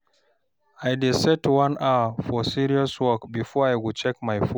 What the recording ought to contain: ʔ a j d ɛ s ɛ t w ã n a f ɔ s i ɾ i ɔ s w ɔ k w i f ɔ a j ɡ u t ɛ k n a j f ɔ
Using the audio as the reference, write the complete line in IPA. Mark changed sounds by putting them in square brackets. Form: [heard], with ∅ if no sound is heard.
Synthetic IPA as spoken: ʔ a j d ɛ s ɛ t w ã n a f ɔ s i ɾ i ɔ s w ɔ k [b] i f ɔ a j ɡ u [t͡ʃ] ɛ k [m] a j f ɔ